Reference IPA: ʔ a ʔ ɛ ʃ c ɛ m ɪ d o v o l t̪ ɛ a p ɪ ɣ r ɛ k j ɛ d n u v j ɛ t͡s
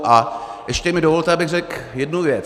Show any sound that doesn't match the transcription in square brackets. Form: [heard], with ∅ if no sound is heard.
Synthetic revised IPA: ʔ a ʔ ɛ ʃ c ɛ m ɪ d o v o l t̪ ɛ a [b] ɪ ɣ r ɛ k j ɛ d n u v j ɛ t͡s

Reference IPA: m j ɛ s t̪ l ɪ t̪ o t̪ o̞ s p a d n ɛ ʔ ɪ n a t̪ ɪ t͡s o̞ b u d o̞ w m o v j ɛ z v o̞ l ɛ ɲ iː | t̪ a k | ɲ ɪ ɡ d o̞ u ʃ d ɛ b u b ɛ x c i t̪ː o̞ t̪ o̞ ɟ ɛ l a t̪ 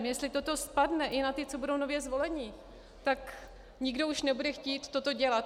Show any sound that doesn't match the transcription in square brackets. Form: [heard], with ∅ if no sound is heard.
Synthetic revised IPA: m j ɛ s t̪ l ɪ t̪ o t̪ o̞ s p a d n ɛ ʔ ɪ n a t̪ ɪ t͡s o̞ b u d o̞ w [n] o v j ɛ z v o̞ l ɛ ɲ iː | t̪ a k | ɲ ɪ ɡ d o̞ u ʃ [n] ɛ b u [d] ɛ x c [iː] t̪ː o̞ t̪ o̞ ɟ ɛ l a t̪

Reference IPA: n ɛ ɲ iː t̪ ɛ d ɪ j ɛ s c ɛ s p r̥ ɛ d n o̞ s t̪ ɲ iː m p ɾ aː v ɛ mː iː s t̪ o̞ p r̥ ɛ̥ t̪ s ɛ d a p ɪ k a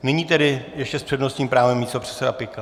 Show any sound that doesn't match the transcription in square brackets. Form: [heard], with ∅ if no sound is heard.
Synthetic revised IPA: n ɛ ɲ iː t̪ ɛ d ɪ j ɛ [ʃ] c ɛ s p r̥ ɛ d n o̞ s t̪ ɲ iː m p ɾ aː v ɛ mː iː s t̪ o̞ p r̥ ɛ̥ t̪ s ɛ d a p ɪ k a

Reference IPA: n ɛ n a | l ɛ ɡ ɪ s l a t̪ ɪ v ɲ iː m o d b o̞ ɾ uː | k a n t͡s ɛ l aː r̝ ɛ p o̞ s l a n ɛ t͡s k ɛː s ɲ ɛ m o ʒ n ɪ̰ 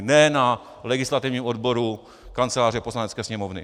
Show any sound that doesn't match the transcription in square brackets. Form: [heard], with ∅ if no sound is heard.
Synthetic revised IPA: n ɛ n a | l ɛ ɡ ɪ s l a t̪ ɪ v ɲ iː m o d b o̞ ɾ [u] | k a n t͡s ɛ l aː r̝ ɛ p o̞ s l a n ɛ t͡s k ɛː s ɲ ɛ m o [v] n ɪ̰

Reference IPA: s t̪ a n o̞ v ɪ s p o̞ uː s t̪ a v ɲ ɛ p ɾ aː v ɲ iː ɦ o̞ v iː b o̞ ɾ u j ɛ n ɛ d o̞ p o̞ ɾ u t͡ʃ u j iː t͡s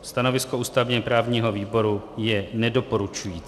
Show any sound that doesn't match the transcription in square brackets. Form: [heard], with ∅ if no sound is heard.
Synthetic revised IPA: s t̪ a n o̞ v ɪ s [k] o̞ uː s t̪ a v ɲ ɛ p ɾ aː v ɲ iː ɦ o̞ v iː b o̞ ɾ u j ɛ n ɛ d o̞ p o̞ ɾ u t͡ʃ u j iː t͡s

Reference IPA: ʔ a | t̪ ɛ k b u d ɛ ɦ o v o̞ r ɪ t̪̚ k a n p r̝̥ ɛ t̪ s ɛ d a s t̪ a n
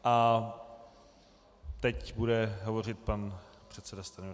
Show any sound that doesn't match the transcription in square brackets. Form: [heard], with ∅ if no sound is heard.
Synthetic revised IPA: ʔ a | t̪ ɛ [c] b u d ɛ ɦ o v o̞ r ɪ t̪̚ [p] a n p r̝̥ ɛ t̪ s ɛ d a s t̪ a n

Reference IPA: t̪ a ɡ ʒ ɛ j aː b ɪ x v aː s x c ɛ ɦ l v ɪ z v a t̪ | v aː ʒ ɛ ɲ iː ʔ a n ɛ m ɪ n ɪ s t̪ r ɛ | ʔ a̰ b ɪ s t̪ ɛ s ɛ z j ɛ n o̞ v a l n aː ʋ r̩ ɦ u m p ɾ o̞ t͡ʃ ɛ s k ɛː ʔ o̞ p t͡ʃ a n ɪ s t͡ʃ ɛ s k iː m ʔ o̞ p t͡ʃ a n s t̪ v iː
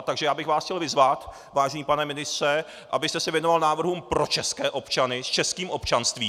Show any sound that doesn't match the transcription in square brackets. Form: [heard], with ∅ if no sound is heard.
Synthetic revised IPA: t̪ a ɡ ʒ ɛ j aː b ɪ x v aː s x c ɛ [∅] l v ɪ z v a t̪ | v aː ʒ ɛ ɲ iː [p] a n ɛ m ɪ n ɪ s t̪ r ɛ | ʔ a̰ b ɪ s t̪ ɛ s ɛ [v] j ɛ n o̞ v a l n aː [v] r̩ ɦ u m p ɾ o̞ t͡ʃ ɛ s k ɛː ʔ o̞ p t͡ʃ a n ɪ s t͡ʃ ɛ s k iː m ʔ o̞ p t͡ʃ a n s t̪ v iː

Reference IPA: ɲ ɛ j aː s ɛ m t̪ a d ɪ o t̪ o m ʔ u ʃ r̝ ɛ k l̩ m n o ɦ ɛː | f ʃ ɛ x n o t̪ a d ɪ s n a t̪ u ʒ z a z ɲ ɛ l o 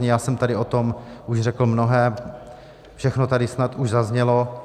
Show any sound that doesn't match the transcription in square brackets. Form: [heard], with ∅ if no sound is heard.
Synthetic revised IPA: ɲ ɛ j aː s ɛ m t̪ a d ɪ o t̪ o m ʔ u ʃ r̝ ɛ k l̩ m n o ɦ ɛː | f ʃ ɛ x n o t̪ a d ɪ s n a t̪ u ʒ z a z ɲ ɛ l o

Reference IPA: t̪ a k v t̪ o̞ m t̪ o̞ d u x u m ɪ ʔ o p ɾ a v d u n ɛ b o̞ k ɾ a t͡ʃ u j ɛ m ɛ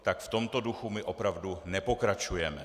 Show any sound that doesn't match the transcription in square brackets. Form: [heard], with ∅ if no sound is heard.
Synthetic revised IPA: t̪ a k [f] t̪ o̞ m t̪ o̞ d u x u m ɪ ʔ o p ɾ a v d u n ɛ [p] o̞ k ɾ a t͡ʃ u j ɛ m ɛ

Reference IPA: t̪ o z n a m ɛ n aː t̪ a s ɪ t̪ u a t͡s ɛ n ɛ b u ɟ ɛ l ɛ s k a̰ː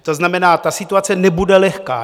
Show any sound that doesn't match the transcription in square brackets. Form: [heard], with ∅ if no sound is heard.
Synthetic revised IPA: t̪ o z n a m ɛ n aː t̪ a s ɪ t̪ u a t͡s ɛ n ɛ b u [d] ɛ l ɛ [x] k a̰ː

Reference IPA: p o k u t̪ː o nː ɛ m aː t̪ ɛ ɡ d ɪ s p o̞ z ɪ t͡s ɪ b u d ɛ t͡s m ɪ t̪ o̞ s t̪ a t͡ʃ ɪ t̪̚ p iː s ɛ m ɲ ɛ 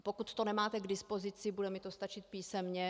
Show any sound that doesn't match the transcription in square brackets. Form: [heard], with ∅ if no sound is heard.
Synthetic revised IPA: p o k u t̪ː o [n] ɛ m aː t̪ ɛ ɡ d ɪ s p o̞ z ɪ t͡s ɪ b u d ɛ [∅] m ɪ t̪ o̞ s t̪ a t͡ʃ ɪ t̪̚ p iː s ɛ m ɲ ɛ

